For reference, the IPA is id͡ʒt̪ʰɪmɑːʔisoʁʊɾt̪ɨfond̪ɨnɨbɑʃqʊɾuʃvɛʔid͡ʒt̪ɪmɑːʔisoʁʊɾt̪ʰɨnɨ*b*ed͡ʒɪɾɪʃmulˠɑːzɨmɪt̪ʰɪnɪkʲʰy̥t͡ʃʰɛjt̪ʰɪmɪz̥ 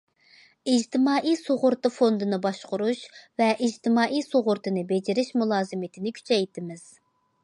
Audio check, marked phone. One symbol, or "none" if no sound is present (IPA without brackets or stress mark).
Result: b